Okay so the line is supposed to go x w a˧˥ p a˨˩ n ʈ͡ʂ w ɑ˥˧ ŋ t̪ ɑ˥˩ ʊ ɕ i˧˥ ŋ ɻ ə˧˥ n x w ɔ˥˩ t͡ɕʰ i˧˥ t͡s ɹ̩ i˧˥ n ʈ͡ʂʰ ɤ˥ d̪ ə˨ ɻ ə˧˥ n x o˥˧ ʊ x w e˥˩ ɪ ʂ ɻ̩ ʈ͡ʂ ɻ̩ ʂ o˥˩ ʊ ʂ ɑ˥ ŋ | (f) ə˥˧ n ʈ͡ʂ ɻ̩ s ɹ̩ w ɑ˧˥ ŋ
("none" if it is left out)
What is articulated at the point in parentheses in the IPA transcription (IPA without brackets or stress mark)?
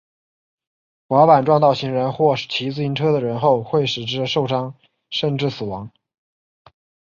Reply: ʂ